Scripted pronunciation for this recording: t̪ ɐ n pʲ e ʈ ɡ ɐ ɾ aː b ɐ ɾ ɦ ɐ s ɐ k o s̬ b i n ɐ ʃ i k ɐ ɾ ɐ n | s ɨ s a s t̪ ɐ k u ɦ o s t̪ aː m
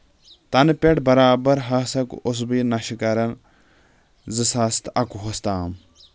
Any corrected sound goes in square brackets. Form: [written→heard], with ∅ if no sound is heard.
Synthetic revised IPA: t̪ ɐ n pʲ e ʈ [ɡ→b] ɐ ɾ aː b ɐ ɾ ɦ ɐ s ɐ k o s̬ b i n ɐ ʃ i k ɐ ɾ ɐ n | [s→z] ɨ s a s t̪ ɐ k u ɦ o s t̪ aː m